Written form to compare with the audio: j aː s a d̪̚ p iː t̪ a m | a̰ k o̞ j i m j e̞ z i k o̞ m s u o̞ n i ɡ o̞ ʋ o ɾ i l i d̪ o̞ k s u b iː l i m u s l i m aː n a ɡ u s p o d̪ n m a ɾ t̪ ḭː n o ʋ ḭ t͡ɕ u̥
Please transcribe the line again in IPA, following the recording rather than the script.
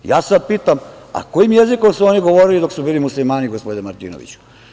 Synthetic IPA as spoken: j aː s a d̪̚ p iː t̪ a m | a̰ k o̞ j i m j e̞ z i k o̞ m s u o̞ n i ɡ o̞ ʋ o ɾ i l i d̪ o̞ k s u b iː l i m u s l i m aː n i ɡ o s p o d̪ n m a ɾ t̪ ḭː n o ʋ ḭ t͡ɕ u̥

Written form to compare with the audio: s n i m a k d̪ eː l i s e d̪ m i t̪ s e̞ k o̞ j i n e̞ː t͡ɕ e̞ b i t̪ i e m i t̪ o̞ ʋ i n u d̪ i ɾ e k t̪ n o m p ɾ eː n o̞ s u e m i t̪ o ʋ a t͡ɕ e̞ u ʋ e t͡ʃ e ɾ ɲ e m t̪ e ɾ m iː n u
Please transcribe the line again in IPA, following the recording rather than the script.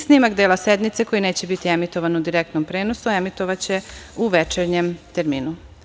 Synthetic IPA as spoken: s n i m a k d̪ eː l a s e d̪ m i t̪ s e̞ k o̞ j i n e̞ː t͡ɕ e̞ b i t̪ i e m i t̪ o̞ ʋ a n u d̪ i ɾ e k t̪ n o m p ɾ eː n o̞ s u e m i t̪ o ʋ a t͡ɕ e̞ u ʋ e t͡ʃ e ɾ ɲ e m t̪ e ɾ m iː n u

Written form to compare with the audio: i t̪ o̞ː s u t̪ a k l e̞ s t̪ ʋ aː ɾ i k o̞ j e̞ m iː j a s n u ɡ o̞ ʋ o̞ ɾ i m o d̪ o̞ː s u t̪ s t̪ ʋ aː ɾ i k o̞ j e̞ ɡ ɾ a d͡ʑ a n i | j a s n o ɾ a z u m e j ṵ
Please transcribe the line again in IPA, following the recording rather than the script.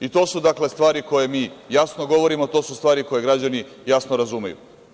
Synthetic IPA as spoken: i t̪ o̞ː s u d̪ a k l e̞ s t̪ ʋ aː ɾ i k o̞ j e̞ m iː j a s n o ɡ o̞ ʋ o̞ ɾ i m o t̪ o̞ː s u s t̪ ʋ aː ɾ i k o̞ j e̞ ɡ ɾ a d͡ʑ a n i | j a s n o ɾ a z u m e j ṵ

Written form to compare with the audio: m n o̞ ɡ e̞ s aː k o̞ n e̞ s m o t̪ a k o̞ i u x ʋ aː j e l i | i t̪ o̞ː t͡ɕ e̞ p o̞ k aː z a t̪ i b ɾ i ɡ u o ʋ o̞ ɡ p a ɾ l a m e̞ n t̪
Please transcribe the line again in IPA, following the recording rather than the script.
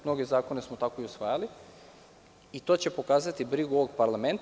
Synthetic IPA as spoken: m n o̞ ɡ e̞ z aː k o̞ n e̞ s m o t̪ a k o̞ i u s ʋ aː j a l i | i t̪ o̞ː t͡ɕ e̞ p o̞ k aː z a t̪ i b ɾ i ɡ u o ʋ o̞ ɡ p a ɾ l a m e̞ n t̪

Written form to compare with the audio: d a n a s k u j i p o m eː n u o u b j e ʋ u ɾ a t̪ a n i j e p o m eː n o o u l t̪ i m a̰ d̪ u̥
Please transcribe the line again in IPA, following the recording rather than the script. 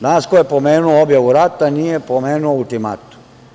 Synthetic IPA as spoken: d a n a s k o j e p o m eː n u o o b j a ʋ u ɾ a t̪ a n i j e p o m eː n u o u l t̪ i m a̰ t̪ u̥

